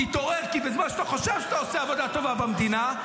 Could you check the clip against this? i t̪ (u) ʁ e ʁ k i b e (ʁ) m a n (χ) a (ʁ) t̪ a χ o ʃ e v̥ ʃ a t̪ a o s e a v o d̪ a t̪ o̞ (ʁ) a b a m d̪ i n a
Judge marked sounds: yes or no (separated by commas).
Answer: no, no, no, no, no